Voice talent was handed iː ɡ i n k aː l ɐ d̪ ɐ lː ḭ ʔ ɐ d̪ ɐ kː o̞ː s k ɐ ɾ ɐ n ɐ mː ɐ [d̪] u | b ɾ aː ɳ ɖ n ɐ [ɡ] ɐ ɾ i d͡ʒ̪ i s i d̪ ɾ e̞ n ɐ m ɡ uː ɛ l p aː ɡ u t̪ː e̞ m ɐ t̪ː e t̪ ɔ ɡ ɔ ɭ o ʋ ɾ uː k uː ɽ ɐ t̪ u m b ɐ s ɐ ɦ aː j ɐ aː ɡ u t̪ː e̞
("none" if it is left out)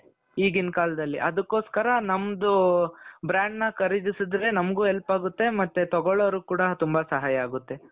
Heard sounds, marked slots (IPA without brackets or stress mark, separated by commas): d̪, k